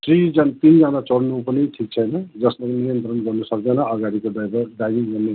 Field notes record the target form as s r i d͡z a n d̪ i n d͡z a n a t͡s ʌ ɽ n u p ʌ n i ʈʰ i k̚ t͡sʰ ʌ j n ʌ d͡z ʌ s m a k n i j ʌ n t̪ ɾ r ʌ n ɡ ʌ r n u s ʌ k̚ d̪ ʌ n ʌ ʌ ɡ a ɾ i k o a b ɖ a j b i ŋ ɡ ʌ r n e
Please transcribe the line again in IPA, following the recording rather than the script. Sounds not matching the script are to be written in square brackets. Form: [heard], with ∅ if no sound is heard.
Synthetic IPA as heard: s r i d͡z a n [t̪] i n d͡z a n a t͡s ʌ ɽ n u p ʌ n i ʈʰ i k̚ t͡sʰ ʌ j n ʌ d͡z ʌ s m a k n i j ʌ n t̪ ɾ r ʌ n ɡ ʌ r n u s ʌ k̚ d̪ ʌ n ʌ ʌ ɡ a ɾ i k o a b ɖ a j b i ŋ ɡ ʌ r n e